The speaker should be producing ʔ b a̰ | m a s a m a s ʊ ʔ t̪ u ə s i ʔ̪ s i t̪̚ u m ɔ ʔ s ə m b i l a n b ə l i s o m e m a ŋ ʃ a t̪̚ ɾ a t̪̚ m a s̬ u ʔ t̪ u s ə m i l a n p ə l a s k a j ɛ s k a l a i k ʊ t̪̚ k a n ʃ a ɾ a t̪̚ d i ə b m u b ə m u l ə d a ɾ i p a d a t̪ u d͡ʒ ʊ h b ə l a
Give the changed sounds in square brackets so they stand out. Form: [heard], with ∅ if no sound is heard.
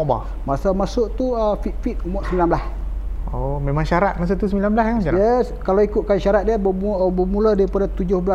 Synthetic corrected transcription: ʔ b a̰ | m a s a m a s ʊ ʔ t̪ u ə [f] i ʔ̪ [f] i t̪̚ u m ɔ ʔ s ə m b i l a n b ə l [a] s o m e m a ŋ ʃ a [∅] ɾ a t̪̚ m a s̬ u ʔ t̪ u s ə m i l a n [b] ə l a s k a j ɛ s k a l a i k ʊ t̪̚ k a n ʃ a ɾ a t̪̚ d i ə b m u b ə m u l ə d a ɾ i p a d a t̪ u d͡ʒ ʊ h b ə l a